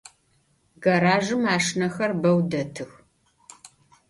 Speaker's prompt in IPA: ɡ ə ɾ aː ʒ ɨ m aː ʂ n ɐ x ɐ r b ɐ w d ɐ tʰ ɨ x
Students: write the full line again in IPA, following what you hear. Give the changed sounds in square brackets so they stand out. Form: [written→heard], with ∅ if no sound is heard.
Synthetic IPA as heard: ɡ [ə→ɐ] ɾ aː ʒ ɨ m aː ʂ n ɐ x ɐ r b ɐ w d ɐ tʰ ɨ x